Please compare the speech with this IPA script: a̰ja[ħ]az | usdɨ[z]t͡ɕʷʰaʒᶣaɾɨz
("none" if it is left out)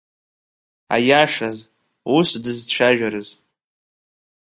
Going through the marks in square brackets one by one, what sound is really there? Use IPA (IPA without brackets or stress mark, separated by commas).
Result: ʂ, z